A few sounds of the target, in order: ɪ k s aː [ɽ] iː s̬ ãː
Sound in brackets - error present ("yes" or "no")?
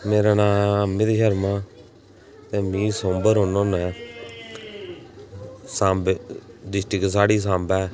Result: no